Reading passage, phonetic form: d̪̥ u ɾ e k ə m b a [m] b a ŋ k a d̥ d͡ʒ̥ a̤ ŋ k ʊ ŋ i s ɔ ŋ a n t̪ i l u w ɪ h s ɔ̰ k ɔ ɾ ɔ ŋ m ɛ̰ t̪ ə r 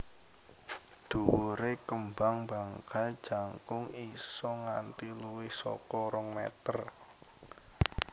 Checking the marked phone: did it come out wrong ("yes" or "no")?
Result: yes